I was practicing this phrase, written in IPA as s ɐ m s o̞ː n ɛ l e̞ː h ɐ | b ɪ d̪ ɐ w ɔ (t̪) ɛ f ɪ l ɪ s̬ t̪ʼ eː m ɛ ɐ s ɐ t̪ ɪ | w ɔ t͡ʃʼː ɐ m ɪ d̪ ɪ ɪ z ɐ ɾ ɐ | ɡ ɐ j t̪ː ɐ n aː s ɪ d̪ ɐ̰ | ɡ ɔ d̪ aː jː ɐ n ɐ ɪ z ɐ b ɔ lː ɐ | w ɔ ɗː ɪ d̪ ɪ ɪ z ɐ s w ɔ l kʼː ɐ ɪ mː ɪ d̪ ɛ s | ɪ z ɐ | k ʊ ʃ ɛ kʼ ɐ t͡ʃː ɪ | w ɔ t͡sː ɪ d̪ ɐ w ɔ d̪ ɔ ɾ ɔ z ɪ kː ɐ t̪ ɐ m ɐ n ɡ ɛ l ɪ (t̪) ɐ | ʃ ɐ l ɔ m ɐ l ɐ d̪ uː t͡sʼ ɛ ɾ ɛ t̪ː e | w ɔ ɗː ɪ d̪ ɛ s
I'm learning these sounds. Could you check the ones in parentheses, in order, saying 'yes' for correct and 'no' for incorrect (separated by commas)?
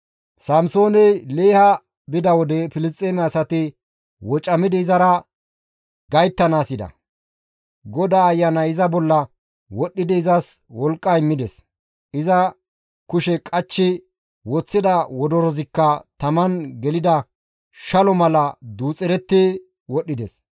no, no